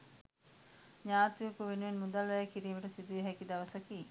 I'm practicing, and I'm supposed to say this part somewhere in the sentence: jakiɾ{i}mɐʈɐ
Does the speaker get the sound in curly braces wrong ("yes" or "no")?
yes